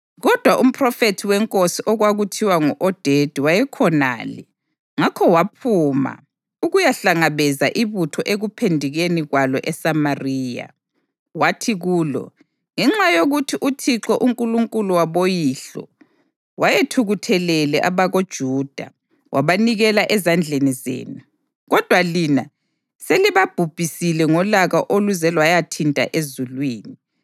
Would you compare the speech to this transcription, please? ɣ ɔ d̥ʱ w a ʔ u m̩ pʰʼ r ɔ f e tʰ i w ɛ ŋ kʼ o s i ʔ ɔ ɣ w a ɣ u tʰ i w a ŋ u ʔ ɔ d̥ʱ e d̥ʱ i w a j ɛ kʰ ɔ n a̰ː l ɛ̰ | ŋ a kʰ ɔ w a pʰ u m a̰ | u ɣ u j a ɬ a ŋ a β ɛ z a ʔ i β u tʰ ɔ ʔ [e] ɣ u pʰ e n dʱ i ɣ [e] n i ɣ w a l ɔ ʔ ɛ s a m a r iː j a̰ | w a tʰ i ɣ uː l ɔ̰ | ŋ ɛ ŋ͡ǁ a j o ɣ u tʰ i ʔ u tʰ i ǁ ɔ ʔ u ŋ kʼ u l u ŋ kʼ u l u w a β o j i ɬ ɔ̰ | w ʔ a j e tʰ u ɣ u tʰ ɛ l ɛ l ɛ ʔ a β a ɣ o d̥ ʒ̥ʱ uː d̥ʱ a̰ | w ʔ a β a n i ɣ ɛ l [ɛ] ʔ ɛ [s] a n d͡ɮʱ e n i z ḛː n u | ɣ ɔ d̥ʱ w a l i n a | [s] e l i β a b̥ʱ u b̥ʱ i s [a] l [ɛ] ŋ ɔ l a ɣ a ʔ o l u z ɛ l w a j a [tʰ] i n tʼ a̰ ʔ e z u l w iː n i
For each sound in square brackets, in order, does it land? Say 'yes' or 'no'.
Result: yes, yes, no, no, yes, no, yes, yes

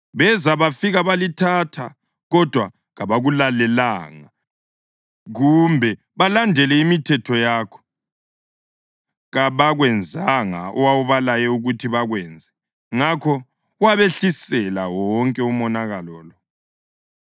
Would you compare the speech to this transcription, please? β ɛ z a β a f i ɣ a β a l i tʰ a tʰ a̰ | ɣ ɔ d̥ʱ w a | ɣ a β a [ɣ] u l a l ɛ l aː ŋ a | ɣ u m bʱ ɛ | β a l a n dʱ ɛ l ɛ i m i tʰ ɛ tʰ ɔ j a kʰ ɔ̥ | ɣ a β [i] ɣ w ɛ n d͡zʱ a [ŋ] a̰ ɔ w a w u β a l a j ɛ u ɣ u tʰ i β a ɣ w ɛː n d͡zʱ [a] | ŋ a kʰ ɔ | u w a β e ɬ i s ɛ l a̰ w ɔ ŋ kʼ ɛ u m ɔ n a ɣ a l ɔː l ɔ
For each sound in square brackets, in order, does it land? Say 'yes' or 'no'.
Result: yes, no, yes, no

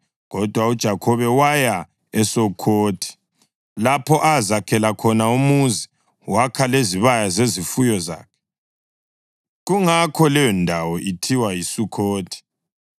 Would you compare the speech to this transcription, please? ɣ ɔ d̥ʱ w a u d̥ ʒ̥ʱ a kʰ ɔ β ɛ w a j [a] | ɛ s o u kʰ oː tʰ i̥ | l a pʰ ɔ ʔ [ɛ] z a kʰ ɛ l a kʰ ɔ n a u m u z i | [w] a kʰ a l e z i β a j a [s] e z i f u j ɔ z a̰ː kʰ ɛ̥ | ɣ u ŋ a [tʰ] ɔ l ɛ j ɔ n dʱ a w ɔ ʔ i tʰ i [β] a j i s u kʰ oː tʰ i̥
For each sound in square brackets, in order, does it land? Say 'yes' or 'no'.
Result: yes, no, yes, no, no, no

